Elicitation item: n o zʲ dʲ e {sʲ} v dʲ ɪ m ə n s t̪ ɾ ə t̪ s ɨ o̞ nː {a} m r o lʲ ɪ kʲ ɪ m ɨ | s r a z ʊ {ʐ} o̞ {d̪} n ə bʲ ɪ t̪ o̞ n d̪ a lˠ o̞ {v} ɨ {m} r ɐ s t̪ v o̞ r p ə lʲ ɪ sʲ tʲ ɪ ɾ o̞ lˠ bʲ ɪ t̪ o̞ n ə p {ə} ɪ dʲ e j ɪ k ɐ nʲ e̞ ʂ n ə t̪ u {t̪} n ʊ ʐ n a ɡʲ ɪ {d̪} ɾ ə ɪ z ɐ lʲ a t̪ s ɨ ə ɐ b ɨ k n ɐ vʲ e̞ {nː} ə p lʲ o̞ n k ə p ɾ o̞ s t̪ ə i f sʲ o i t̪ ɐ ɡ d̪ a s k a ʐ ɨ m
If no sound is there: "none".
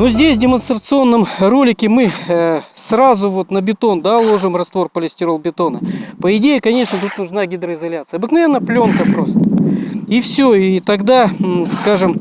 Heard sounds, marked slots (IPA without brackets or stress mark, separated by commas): sʲ, ə, v, t̪, ʐ, m, ə, t̪, d̪, nː